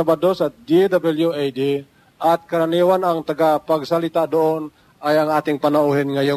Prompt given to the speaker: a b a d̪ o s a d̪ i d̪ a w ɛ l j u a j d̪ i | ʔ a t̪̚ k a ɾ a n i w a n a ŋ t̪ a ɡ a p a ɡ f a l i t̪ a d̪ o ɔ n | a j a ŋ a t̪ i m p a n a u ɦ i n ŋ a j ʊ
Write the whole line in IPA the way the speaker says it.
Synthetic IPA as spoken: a b a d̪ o s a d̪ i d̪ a b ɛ l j u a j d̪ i | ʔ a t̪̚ k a ɾ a n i w a n a ŋ t̪ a ɡ a p a ɡ s a l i t̪ a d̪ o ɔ n | a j a ŋ a t̪ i ŋ p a n a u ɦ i n ŋ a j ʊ